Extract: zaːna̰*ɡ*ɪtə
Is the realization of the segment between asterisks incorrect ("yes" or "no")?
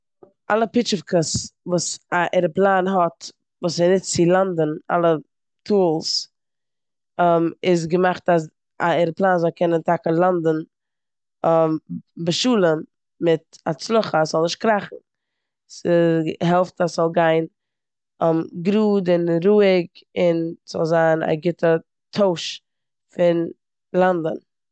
no